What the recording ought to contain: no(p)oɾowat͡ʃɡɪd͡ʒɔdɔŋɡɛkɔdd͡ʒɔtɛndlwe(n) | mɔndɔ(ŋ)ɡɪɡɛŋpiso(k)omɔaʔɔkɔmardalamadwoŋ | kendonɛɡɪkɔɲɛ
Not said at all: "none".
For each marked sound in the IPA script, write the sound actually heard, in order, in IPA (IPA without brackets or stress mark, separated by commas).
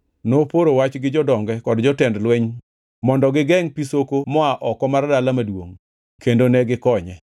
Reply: p, ɲ, none, k